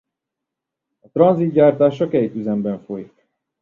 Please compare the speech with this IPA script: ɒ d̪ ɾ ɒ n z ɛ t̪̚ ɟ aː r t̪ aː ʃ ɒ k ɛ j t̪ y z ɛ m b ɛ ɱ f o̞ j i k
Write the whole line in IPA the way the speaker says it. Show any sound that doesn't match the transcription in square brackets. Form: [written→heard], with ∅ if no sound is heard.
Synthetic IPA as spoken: ɒ [d̪→t̪] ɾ ɒ n z [ɛ→i] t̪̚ ɟ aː r t̪ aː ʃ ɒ k ɛ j t̪ y z ɛ m b ɛ ɱ f o̞ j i k